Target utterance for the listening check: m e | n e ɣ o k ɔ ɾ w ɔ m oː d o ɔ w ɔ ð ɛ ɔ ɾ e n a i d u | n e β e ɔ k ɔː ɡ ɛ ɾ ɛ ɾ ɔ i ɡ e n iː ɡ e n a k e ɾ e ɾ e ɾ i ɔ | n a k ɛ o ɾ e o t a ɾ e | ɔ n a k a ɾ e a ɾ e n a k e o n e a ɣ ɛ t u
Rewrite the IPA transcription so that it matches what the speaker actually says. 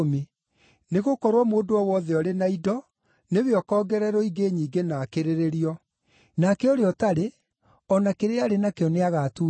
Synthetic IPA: m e | n e ɣ o k ɔ ɾ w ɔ m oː d o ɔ w ɔ ð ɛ ɔ ɾ e n a i d ɔ | n e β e ɔ k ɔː ɡ ɛ ɾ ɛ ɾ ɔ i ɡ e ɲ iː ɡ e n a k e ɾ e ɾ e ɾ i ɔ | n a k ɛ o ɾ e ɔ t a ɾ e | ɔ n a k e ɾ e a ɾ e n a k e ɔ n e a ɣ a t u